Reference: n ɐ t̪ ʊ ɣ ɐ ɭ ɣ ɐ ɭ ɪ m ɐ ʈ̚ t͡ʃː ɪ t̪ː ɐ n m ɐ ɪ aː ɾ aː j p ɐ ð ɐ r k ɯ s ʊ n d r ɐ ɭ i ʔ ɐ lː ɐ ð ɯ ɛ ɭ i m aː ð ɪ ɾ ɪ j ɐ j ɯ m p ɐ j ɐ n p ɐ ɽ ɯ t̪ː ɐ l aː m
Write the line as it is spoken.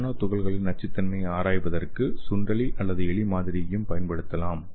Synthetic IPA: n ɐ t̪ ʊ ɣ ɐ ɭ ɣ ɐ ɭ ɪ n ɐ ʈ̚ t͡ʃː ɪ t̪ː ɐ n m ɐ ɪ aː ɾ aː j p ɐ ð ɐ r k ɯ s ʊ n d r ɐ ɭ i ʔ ɐ lː ɐ ð ɯ ɛ ɭ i m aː ð ɪ ɾ ɪ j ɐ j ɯ m p ɐ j ɐ n p ɐ ɽ ɯ t̪ː ɐ l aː m

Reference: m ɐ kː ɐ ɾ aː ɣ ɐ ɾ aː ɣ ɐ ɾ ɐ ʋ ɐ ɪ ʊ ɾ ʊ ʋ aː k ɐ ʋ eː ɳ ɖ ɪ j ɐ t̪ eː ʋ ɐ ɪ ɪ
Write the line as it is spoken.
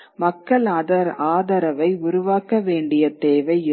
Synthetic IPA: m ɐ kː ɐ ɭ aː ð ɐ ɾ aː ð ɐ ɾ ɐ ʋ ɐ ɪ ʊ ɾ ʊ ʋ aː k ɐ ʋ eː ɳ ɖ ɪ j ɐ t̪ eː ʋ ɐ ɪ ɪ

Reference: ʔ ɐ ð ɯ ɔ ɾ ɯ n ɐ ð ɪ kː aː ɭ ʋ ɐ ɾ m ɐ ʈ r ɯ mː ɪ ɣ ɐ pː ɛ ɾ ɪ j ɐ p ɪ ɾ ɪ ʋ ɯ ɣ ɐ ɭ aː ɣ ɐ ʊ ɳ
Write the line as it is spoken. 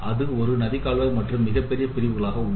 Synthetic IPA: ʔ ɐ ð ɯ ɔ ɾ ɯ n ɐ ð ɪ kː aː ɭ ʋ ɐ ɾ m ɐ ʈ r ɯ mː ɪ ɣ ɐ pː ɛ ɾ ɪ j ɐ p ɪ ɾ ɪ ʋ ɯ ɣ ɐ ɭ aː ɣ ɐ ʊ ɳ

